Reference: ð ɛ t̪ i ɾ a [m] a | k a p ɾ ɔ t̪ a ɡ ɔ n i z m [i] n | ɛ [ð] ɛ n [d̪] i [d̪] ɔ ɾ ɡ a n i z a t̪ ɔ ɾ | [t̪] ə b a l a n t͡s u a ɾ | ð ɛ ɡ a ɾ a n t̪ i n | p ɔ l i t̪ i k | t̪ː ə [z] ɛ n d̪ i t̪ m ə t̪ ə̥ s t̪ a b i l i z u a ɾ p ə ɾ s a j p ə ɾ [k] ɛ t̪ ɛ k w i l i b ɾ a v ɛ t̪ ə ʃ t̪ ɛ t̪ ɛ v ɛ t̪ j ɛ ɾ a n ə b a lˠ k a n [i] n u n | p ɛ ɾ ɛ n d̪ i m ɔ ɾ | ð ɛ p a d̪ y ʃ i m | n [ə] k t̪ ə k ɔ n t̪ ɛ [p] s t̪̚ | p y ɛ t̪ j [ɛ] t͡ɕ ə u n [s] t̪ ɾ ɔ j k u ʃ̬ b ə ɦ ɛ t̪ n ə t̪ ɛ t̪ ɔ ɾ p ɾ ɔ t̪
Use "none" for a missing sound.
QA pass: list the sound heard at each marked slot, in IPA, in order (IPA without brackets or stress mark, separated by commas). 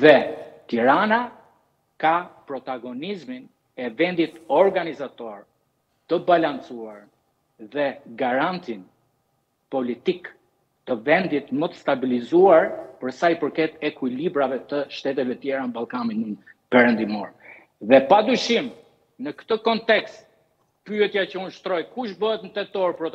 n, i, v, d̪, t̪, t̪, v, k, i, ə, k, a, ʃ